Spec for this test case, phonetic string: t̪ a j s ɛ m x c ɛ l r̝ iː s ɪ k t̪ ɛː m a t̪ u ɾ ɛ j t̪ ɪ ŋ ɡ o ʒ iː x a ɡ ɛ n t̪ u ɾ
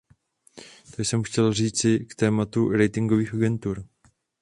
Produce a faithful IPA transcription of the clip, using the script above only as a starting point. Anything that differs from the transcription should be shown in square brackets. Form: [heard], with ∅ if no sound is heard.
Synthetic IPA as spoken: t̪ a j s ɛ m x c ɛ l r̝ iː [t͡s] ɪ k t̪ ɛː m a t̪ u ɾ ɛ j t̪ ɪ ŋ ɡ o [v] iː x a ɡ ɛ n t̪ u ɾ